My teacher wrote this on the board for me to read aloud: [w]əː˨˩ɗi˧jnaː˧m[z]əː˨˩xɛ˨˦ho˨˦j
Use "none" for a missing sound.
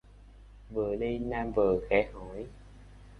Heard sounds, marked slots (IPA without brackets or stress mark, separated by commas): v, v